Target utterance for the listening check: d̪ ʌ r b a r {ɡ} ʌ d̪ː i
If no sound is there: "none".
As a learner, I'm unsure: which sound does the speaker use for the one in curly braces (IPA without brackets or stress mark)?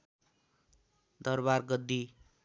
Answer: ɡ